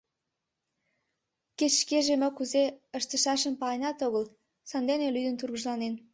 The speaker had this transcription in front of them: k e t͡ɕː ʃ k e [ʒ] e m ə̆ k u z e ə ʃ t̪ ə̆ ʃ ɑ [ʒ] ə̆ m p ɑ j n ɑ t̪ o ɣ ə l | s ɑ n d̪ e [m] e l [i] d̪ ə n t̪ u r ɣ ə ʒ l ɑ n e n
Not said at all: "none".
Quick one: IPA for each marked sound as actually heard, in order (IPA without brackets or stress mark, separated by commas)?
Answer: ʒ, ʃ, n, y